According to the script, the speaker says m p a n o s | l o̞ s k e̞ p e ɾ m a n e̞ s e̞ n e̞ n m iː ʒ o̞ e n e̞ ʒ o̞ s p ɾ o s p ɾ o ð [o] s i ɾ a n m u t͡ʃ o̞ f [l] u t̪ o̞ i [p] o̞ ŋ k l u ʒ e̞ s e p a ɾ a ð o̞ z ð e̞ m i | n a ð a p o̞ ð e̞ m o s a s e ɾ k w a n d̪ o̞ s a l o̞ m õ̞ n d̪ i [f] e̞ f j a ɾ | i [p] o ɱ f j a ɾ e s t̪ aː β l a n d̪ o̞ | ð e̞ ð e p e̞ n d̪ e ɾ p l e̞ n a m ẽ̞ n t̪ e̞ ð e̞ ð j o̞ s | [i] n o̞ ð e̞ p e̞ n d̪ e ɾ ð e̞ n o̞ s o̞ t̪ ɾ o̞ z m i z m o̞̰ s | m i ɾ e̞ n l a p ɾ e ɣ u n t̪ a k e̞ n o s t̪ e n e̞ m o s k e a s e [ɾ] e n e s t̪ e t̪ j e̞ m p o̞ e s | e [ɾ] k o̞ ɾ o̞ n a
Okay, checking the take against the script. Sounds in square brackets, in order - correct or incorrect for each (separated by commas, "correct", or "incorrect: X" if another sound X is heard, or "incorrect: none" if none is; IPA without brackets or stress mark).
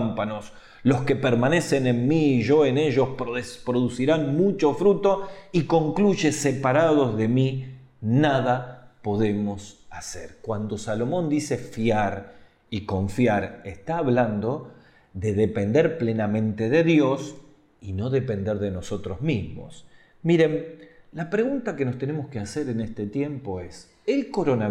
incorrect: u, incorrect: ɾ, incorrect: k, incorrect: s, incorrect: k, correct, correct, incorrect: l